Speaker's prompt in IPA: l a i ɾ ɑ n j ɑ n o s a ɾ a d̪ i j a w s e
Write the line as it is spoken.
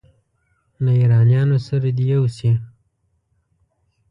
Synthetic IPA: l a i ɾ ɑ n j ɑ n o s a ɾ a d̪ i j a w s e